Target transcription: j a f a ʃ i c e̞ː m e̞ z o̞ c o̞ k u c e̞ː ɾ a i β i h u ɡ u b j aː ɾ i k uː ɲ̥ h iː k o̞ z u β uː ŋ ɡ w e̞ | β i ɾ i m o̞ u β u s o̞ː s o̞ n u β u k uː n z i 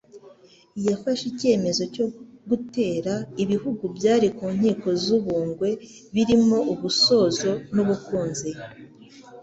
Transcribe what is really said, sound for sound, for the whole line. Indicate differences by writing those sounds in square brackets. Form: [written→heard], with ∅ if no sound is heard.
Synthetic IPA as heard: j a f a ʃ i c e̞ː m e̞ z o̞ c o̞ [k→ɡ] u [c→t] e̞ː ɾ a i β i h u ɡ u b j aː ɾ i k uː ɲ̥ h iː k o̞ z u β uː ŋ ɡ w e̞ | β i ɾ i m o̞ u β u s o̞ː [s→z] o̞ n u β u k uː n z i